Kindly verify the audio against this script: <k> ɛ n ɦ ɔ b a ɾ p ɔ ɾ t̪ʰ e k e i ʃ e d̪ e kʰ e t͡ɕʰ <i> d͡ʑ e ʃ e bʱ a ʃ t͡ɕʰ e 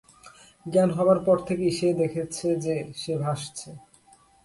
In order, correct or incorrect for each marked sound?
incorrect, incorrect

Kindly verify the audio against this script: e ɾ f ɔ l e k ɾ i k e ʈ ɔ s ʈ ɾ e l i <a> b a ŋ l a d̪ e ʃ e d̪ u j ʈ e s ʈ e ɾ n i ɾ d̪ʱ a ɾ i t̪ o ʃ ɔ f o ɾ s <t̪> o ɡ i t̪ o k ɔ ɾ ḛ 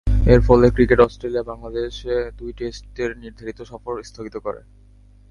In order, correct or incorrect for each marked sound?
correct, incorrect

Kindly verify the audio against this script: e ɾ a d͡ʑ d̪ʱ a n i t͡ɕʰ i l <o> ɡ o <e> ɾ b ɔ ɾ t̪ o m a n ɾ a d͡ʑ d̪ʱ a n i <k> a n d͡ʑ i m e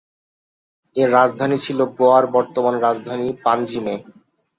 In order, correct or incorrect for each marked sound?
correct, incorrect, incorrect

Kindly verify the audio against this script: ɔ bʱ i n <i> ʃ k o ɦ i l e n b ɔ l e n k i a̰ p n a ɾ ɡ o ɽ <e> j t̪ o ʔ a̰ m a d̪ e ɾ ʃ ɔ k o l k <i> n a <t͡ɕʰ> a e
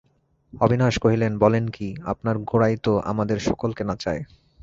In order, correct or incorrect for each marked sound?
incorrect, incorrect, incorrect, incorrect

